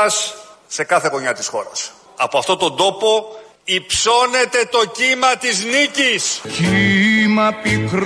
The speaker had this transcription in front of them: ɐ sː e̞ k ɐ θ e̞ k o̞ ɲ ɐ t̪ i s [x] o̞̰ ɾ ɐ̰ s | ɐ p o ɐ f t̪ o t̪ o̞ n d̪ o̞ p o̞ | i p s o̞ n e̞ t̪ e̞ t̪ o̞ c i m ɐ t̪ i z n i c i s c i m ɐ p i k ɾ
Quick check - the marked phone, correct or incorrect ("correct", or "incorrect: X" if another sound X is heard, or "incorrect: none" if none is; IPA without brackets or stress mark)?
correct